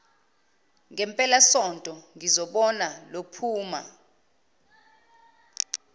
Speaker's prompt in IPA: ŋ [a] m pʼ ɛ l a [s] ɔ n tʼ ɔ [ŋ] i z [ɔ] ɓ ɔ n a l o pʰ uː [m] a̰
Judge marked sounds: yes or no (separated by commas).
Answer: no, yes, yes, yes, yes